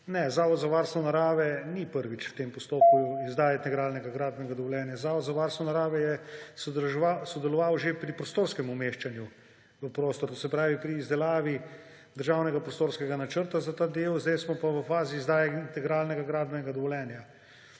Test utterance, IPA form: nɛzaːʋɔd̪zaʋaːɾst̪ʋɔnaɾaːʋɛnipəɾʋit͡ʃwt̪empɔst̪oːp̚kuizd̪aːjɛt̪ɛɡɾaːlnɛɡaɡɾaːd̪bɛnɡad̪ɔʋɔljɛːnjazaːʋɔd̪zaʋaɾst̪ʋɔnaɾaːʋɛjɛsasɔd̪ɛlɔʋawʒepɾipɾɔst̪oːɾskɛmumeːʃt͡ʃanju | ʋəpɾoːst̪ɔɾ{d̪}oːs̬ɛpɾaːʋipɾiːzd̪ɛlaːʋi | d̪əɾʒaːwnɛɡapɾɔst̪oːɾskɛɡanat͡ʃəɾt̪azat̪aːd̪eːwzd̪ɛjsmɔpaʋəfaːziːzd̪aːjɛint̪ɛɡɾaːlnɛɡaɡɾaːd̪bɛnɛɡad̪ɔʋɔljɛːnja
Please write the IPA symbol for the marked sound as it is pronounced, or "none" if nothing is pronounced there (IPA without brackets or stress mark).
t̪